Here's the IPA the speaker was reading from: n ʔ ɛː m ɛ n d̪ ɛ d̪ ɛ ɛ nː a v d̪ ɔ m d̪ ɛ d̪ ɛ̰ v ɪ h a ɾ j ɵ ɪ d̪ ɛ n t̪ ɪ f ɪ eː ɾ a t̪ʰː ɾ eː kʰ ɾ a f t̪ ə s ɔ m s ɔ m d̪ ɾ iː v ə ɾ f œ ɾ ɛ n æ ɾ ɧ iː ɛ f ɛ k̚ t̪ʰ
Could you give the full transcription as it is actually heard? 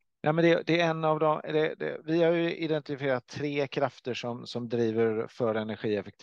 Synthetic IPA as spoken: n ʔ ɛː m ɛ n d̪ ɛ d̪ ɛ ɛ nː a v d̪ ɔ m d̪ ɛ d̪ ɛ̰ v ɪ h a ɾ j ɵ ɪ d̪ ɛ n t̪ ɪ f ɪ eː ɾ a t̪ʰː ɾ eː kʰ ɾ a f t̪ ə ʂ ɔ m s ɔ m d̪ ɾ iː v ə ɾ f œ ɾ ɛ n æ ɾ ɧ iː ɛ f ɛ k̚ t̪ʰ